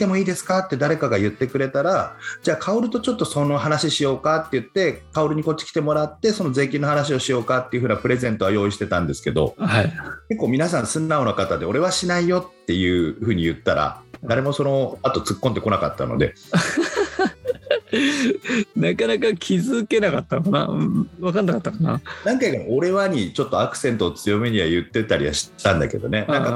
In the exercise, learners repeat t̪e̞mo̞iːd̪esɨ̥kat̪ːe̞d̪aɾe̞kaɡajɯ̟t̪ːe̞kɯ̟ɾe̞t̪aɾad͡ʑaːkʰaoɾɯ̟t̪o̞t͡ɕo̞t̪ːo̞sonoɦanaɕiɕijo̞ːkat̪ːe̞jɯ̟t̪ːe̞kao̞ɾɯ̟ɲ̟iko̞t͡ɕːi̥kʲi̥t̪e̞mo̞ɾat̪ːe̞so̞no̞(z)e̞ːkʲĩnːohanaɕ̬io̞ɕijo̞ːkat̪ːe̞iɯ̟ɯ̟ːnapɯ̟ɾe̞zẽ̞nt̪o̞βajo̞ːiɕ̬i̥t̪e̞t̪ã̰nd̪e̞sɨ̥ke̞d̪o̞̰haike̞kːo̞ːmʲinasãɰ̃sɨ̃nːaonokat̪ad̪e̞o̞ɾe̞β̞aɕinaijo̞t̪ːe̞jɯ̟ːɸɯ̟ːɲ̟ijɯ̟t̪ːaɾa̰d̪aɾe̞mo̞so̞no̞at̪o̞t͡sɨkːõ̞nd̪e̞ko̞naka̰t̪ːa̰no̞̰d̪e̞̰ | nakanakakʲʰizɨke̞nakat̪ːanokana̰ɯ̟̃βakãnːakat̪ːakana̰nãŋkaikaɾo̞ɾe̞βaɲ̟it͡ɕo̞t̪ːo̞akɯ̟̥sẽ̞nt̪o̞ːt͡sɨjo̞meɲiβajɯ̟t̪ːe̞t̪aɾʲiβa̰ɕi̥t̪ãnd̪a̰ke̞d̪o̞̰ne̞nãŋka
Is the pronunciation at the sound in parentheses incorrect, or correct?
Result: correct